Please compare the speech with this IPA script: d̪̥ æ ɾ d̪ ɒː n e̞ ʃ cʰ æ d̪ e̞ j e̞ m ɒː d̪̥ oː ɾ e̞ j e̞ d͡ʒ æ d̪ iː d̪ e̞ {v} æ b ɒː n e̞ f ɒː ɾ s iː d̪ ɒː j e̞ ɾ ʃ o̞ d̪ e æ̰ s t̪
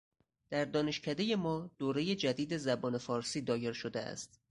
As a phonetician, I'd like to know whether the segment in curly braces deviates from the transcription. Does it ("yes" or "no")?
yes